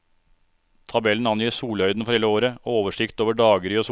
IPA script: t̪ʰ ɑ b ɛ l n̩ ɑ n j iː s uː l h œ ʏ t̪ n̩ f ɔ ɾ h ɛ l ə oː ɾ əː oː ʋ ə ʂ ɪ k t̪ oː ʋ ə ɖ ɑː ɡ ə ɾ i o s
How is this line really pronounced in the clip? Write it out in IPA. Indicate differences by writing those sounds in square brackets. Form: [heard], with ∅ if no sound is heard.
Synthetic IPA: t̪ʰ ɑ b ɛ l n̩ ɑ n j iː s uː l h œ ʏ [d̪] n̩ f ɔ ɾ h ɛ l ə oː ɾ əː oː ʋ ə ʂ ɪ k t̪ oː ʋ ə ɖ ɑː ɡ ə ɾ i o s

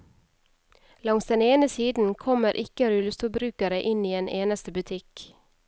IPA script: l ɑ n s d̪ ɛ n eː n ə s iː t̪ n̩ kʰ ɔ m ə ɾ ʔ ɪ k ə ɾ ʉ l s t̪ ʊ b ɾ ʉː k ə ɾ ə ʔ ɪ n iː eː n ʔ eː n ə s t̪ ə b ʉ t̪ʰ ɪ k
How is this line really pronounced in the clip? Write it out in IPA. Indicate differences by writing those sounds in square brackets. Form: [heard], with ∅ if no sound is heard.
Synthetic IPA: l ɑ [ŋ] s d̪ ɛ n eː n ə s iː [d̪] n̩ kʰ ɔ m ə ɾ ʔ ɪ k ə ɾ ʉ l s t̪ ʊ b ɾ ʉː k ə ɾ ə ʔ ɪ n iː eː n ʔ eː n ə s t̪ ə b ʉ t̪ʰ ɪ k

